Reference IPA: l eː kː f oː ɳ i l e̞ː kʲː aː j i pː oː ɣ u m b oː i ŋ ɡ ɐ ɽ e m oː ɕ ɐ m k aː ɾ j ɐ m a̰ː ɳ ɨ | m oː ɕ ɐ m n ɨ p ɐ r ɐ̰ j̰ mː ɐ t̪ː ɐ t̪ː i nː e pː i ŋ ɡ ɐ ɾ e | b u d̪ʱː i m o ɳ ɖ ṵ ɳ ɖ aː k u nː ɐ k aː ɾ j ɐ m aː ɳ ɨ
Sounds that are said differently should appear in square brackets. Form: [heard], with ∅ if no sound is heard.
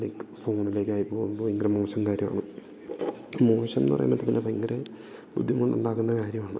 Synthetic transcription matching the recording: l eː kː f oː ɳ i l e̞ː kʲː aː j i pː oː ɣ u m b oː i ŋ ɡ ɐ [ɾ] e m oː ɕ ɐ m k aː ɾ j ɐ m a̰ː ɳ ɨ | m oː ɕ ɐ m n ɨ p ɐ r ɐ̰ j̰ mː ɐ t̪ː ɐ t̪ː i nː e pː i ŋ ɡ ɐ ɾ e | b u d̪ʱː i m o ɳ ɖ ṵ ɳ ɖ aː k u nː ɐ k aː ɾ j ɐ m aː ɳ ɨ